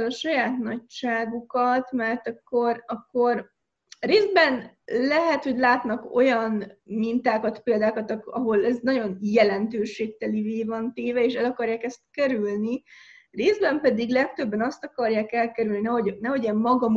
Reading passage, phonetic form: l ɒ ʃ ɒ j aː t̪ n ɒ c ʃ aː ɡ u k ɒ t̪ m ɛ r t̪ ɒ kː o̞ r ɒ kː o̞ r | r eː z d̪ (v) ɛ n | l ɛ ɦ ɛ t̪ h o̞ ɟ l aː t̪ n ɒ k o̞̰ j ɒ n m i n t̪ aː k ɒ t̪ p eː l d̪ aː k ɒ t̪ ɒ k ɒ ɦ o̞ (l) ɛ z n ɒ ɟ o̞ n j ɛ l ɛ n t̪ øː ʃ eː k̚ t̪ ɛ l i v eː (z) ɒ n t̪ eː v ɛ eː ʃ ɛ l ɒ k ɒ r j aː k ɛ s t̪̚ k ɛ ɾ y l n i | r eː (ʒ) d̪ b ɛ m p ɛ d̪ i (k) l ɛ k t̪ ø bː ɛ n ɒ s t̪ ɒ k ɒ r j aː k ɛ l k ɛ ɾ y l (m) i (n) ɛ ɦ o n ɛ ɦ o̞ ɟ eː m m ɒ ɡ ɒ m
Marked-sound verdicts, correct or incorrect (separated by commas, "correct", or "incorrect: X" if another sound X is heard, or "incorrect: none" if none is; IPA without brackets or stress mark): incorrect: b, correct, incorrect: v, incorrect: z, incorrect: ɡ, incorrect: n, correct